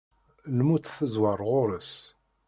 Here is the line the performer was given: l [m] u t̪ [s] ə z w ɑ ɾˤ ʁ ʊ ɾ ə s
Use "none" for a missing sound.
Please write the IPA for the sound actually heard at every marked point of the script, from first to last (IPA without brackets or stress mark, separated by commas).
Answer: m, θ